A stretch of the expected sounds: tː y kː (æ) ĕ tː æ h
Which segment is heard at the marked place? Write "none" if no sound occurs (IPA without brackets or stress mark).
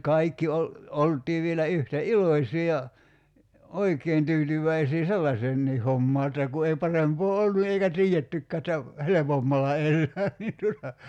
æː